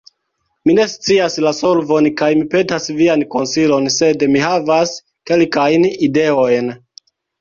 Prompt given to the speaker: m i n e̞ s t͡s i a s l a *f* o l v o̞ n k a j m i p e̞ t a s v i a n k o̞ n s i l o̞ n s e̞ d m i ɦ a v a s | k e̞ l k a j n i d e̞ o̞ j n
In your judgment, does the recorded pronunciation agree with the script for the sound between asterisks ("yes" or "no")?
no